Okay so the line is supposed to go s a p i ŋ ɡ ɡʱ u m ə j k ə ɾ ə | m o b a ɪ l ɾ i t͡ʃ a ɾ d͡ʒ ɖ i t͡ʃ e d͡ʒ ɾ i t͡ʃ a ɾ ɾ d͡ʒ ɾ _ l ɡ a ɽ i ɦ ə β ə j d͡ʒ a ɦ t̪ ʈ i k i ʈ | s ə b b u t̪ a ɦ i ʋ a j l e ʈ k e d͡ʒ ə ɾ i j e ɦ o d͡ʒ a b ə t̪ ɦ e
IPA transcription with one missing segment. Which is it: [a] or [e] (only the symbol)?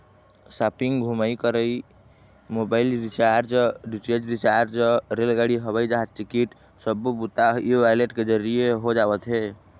e